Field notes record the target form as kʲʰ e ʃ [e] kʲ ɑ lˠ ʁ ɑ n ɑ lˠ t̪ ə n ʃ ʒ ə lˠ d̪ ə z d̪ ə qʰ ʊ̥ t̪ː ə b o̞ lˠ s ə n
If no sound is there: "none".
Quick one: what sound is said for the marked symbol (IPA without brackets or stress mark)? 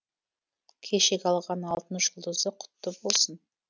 e